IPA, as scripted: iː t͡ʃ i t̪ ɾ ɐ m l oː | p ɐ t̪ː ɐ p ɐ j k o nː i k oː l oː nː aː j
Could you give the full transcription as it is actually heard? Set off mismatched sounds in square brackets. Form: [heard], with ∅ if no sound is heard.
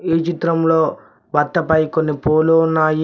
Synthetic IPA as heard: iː t͡ʃ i t̪ ɾ ɐ m l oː | [b] ɐ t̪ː ɐ p ɐ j k o nː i [p] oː l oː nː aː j